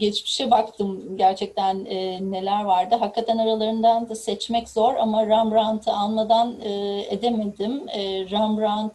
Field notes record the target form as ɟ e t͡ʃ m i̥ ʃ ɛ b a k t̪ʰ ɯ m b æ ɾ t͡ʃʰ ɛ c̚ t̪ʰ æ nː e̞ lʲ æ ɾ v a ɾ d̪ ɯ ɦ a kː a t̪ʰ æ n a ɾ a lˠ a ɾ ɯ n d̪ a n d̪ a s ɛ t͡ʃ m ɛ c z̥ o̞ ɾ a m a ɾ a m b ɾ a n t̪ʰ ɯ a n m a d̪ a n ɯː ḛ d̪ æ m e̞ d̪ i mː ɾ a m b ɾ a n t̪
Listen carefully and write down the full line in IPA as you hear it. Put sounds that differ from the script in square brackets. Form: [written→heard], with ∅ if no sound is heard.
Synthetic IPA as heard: ɟ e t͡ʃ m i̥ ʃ ɛ b a k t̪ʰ ɯ m [b→ɟ] æ ɾ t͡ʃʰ ɛ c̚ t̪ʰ æ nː e̞ lʲ æ ɾ v a ɾ d̪ ɯ ɦ a kː a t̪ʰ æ n a ɾ a lˠ a ɾ ɯ n d̪ a n d̪ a s ɛ t͡ʃ m ɛ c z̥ o̞ ɾ a m a ɾ a m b ɾ a n t̪ʰ ɯ a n m a d̪ a n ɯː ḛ d̪ [æ→e] m e̞ d̪ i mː ɾ a m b ɾ a n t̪